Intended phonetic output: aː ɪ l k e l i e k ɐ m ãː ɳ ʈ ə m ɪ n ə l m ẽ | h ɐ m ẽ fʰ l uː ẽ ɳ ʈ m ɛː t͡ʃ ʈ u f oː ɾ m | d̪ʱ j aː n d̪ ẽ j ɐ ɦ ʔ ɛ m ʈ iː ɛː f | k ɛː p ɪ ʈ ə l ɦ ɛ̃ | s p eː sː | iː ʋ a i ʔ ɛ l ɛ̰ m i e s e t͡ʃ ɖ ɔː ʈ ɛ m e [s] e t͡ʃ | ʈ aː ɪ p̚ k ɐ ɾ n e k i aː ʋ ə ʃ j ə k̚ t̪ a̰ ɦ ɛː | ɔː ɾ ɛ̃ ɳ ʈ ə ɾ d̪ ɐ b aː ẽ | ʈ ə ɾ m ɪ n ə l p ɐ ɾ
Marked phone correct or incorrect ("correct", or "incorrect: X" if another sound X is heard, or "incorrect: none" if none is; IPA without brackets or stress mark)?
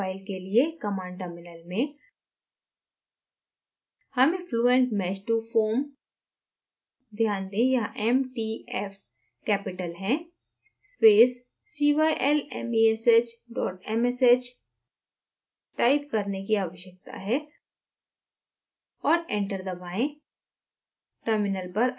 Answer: correct